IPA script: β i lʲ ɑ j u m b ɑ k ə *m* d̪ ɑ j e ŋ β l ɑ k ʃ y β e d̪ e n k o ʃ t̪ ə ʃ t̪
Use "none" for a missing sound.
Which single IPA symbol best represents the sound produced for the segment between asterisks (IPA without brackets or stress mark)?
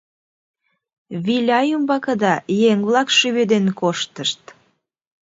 none